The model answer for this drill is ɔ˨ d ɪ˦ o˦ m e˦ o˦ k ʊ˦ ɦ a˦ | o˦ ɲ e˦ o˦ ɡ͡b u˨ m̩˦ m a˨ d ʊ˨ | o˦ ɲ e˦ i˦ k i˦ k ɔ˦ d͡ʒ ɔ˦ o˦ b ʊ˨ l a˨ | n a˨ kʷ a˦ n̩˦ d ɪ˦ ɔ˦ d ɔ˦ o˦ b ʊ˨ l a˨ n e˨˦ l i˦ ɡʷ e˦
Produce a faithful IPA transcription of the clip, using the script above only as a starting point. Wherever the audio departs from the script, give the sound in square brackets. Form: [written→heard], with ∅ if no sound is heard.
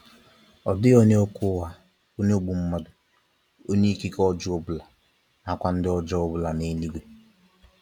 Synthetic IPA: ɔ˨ d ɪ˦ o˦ [m→ɲ] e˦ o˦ k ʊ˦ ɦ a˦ | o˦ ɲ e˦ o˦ ɡ͡b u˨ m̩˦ m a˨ d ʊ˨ | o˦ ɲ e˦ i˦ k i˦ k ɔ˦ d͡ʒ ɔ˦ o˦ b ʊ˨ l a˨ | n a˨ kʷ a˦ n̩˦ d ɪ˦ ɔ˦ [d→d͡ʒ] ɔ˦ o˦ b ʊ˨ l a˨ n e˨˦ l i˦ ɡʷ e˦